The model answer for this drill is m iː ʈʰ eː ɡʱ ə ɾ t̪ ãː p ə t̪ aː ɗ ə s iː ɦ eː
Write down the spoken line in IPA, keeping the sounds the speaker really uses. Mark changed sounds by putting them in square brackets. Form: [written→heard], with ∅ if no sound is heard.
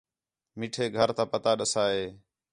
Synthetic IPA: m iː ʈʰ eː ɡʱ ə ɾ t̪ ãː p ə t̪ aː ɗ ə s [iː→aː] ɦ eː